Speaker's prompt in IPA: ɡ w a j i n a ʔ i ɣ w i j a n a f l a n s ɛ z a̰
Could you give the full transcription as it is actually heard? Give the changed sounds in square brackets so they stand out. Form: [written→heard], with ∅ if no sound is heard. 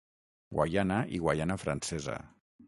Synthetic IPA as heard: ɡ w a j [i→a] n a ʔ i ɣ w [i→a] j a n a f [l→ɾ] a n s ɛ z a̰

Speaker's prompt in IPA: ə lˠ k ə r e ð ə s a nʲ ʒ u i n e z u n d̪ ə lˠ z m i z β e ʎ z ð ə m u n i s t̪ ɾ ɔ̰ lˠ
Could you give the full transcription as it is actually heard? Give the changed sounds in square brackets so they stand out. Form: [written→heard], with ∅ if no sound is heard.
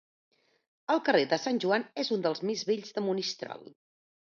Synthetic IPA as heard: ə lˠ k ə r e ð ə s a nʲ ʒ u [i→a] n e z u n d̪ ə lˠ z m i z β e ʎ z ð ə m u n i s t̪ ɾ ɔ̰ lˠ

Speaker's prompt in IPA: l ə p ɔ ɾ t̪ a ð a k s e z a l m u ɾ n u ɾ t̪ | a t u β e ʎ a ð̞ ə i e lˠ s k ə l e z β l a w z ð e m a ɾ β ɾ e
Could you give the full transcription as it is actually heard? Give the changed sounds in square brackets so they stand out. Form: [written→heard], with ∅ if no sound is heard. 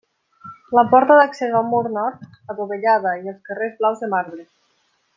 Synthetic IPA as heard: l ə p ɔ ɾ t̪ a ð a k s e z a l m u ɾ n [u→ɔ] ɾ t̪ | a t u β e ʎ a ð̞ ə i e lˠ s k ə [l→r] e z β l a w z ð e m a ɾ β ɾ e

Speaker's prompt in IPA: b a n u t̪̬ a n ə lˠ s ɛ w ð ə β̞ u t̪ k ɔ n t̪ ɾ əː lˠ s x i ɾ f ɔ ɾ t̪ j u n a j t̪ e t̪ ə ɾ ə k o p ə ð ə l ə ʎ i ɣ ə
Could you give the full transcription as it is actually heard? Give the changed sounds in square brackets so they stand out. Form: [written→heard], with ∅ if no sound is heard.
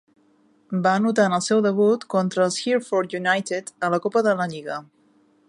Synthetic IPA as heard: b a n u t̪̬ a n ə lˠ s ɛ w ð ə β̞ u t̪ k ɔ n t̪ ɾ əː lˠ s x i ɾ f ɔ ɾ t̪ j u n a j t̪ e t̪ ə [ɾ→l] ə k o p ə ð ə l ə ʎ i ɣ ə

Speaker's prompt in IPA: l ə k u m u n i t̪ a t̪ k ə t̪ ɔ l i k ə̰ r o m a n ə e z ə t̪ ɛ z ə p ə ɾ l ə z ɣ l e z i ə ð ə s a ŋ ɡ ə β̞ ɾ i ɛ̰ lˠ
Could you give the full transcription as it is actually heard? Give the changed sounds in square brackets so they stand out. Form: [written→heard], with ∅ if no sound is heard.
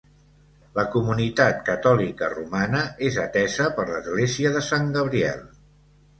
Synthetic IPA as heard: l ə k u m u n i t̪ a t̪ k ə t̪ ɔ l i k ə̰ r [o→u] m a n ə e z ə t̪ ɛ z ə p ə ɾ l ə z ɣ l e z i ə ð ə s a ŋ ɡ ə β̞ ɾ i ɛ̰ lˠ

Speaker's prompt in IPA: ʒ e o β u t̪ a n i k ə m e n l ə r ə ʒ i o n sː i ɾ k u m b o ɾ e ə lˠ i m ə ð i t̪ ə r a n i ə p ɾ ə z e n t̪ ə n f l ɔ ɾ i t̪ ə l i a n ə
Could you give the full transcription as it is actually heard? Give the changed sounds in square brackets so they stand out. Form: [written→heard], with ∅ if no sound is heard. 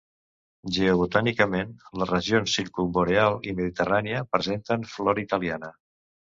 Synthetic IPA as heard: ʒ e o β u t̪ a n i k ə m e n l ə r ə ʒ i o n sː i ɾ k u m b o ɾ e [ə→a] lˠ i m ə ð i t̪ ə r a n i ə p ɾ ə z e n t̪ ə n f l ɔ ɾ i t̪ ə l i a n ə

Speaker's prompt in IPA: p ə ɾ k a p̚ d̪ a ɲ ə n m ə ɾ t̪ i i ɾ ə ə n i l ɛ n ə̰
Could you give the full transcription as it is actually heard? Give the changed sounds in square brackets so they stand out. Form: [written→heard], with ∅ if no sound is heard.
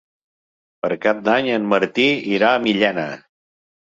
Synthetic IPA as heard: p ə ɾ k a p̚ d̪ a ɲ ə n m ə ɾ t̪ i i ɾ [ə→a] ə [n→m] i [l→ʎ] ɛ n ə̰

